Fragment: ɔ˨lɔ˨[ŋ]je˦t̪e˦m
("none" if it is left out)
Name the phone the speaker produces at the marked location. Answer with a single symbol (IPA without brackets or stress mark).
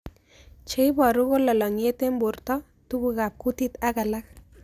ŋ